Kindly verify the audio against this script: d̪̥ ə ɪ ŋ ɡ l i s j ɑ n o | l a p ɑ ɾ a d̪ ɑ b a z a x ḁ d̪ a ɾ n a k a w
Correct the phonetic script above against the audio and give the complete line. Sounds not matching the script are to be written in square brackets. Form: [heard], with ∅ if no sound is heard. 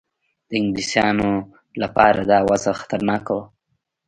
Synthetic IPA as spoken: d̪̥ ə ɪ ŋ ɡ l i s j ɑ n o | l a p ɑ ɾ a d̪ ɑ [w] a z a x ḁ [t̪] a ɾ n [ɑ] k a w